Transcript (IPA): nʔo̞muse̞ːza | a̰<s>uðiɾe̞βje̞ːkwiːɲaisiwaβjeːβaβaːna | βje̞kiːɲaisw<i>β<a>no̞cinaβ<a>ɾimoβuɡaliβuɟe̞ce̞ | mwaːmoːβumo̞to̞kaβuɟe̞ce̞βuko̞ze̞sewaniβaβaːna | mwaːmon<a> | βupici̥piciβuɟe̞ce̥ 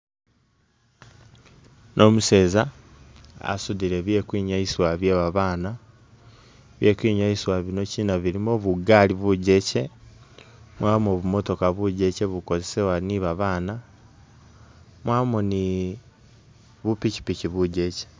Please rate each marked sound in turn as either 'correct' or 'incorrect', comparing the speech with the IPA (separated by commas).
correct, incorrect, incorrect, incorrect, incorrect